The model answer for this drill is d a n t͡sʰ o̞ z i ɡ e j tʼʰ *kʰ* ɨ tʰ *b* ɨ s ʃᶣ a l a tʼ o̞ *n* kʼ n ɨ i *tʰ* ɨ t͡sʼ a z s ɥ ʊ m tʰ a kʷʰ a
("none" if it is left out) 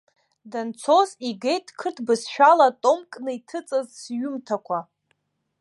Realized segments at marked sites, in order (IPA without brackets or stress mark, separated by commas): kʰ, b, m, tʰ